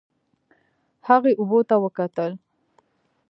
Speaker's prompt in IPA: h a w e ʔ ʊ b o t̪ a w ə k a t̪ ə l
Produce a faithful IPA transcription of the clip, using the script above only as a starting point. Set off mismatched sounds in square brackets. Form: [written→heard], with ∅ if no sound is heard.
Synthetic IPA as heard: h a [w→ɣ] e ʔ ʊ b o t̪ a w ə k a t̪ ə l

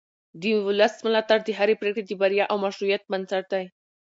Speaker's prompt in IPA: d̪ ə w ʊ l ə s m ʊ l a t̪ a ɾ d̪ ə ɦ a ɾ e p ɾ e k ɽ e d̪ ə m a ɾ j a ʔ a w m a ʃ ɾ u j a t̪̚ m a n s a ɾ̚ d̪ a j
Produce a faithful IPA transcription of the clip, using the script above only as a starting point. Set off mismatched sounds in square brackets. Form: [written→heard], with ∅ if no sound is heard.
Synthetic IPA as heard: d̪ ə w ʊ l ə s m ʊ l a t̪ a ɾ d̪ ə ɦ a ɾ e p ɾ e k ɽ e d̪ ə [m→b] a ɾ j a ʔ a w m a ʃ ɾ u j a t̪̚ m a n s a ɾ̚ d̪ a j

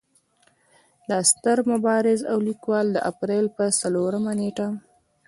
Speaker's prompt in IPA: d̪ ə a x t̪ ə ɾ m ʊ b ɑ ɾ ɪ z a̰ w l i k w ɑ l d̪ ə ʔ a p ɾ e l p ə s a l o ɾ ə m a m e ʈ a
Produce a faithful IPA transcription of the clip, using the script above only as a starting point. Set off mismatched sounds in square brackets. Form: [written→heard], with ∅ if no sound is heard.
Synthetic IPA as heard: d̪ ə a [x→s] t̪ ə ɾ m ʊ b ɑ ɾ ɪ z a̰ w l i k w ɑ l d̪ ə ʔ a p ɾ e l p ə s a l o ɾ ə m a [m→n] e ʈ a

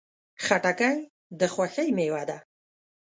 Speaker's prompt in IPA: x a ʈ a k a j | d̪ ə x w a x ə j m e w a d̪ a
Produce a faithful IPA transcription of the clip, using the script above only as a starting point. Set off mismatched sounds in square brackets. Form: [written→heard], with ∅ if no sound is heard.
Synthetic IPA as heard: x a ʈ a k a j | d̪ ə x w a x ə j m e w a d̪ a

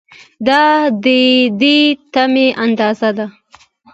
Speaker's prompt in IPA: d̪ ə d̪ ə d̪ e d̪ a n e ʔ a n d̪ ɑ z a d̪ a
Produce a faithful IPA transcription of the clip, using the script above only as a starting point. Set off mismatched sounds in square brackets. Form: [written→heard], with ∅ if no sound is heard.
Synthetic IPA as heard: d̪ [ə→ɑ] d̪ ə d̪ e [d̪→t̪] a [n→m] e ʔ a n d̪ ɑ z a d̪ a

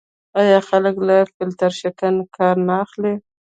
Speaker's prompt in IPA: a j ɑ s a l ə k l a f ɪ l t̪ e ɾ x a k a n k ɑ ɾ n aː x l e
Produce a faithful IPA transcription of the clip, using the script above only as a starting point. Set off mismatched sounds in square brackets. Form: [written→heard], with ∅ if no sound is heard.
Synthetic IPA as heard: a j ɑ [s→x] a l ə k l a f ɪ l t̪ [e→a] ɾ [x→ʃ] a k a n k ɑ ɾ n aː x l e

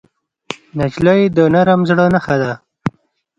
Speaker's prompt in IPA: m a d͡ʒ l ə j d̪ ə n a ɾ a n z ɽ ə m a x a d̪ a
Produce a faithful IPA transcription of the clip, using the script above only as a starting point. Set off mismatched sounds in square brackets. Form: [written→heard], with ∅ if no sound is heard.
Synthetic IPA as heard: [m→n] a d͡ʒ l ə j d̪ ə n a ɾ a [n→m] z ɽ ə [m→n] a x a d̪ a

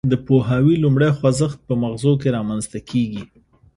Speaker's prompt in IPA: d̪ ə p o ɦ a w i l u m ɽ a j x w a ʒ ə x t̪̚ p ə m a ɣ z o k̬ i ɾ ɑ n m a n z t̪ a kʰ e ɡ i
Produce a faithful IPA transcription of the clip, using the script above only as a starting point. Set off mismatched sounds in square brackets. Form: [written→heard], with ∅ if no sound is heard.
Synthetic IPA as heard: d̪ ə p o ɦ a w i l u m ɽ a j x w a [ʒ→z] ə x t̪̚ p ə m a ɣ z o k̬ [i→e] ɾ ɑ [n→∅] m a n z t̪ a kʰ e ɡ i

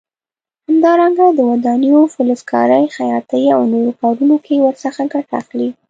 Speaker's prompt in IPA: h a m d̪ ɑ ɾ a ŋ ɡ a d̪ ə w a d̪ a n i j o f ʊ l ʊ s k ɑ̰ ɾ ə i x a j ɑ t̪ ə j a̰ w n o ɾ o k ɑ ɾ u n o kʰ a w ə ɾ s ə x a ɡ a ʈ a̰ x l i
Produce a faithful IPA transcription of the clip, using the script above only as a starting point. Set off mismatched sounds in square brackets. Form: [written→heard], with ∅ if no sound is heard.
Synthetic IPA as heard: h a m d̪ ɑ ɾ a ŋ ɡ a d̪ ə w a d̪ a n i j o f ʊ l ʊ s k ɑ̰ ɾ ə [i→j] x a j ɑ t̪ ə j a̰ w n o ɾ o k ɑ ɾ u n o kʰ [a→e] w ə ɾ s ə x a ɡ a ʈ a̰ x l i

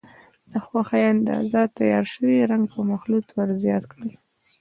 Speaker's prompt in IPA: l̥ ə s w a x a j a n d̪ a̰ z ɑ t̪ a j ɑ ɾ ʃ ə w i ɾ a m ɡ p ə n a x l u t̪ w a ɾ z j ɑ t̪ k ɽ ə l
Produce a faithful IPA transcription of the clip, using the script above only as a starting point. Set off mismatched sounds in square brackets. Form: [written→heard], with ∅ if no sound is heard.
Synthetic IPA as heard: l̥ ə [s→x] w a x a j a n d̪ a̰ z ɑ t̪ a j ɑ ɾ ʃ ə w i ɾ a [m→ŋ] ɡ p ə [n→m] a x l u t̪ w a ɾ z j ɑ t̪ k ɽ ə l

